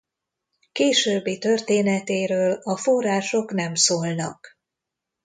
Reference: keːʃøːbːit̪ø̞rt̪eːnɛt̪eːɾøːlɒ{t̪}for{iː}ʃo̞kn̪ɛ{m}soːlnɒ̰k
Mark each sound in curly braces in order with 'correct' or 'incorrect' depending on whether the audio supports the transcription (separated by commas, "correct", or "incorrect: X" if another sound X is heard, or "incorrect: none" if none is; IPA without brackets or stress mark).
incorrect: none, incorrect: aː, correct